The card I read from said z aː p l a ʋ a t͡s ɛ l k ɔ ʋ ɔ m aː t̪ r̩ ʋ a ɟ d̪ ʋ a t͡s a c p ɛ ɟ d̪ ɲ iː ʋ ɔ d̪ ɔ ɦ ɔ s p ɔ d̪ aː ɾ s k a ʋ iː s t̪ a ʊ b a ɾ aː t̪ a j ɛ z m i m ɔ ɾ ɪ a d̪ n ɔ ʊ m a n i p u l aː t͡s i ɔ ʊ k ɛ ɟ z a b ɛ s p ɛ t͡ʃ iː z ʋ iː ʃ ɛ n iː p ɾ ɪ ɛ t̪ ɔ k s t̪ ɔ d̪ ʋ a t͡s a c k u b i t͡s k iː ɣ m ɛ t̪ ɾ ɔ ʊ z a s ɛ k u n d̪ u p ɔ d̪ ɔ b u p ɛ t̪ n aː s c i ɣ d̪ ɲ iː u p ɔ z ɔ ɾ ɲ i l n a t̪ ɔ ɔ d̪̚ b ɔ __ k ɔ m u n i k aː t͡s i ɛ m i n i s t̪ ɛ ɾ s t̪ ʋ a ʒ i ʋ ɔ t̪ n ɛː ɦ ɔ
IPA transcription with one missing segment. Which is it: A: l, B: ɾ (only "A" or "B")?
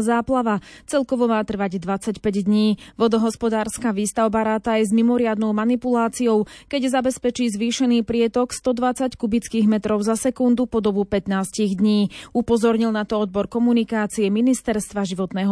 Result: B